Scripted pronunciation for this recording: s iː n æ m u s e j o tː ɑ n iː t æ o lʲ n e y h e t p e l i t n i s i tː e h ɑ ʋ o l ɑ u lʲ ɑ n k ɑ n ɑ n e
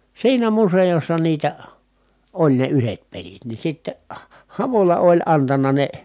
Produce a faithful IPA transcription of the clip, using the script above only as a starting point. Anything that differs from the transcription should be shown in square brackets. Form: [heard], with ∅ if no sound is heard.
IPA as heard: s iː n æ m u s e j o [sː] ɑ n iː t æ o lʲ n e y h e t p e l i t n i s i tː e h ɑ ʋ o l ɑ [o] lʲ ɑ n [t] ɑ n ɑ n e